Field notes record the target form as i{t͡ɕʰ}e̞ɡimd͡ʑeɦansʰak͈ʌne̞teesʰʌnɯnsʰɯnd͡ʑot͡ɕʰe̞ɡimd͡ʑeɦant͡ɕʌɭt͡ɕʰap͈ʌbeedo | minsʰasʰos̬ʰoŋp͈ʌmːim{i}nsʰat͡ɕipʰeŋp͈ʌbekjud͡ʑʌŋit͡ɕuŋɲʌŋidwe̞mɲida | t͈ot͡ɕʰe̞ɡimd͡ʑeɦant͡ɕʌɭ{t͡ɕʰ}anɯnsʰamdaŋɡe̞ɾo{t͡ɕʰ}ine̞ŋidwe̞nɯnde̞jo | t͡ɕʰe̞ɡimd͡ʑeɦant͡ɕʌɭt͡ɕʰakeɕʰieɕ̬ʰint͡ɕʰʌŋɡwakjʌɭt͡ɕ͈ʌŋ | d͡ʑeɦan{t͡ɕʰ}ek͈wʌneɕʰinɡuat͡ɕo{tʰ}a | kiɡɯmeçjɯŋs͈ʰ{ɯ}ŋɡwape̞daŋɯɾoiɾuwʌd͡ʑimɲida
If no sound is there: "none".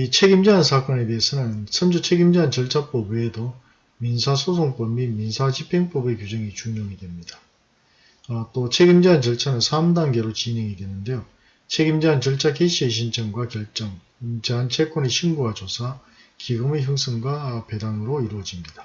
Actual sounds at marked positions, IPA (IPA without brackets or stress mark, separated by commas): t͡ɕʰ, i, t͡ɕʰ, t͡ɕ, t͡ɕʰ, sʰ, ɯ